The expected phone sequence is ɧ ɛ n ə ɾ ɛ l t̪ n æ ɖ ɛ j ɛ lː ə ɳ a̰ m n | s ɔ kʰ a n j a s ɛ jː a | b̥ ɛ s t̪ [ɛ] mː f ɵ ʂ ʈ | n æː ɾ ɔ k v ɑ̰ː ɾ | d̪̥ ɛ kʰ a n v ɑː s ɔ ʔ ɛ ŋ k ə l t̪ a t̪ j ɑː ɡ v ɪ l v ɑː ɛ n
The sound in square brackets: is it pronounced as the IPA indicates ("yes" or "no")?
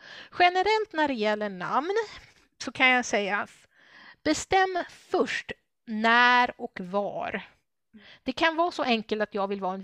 yes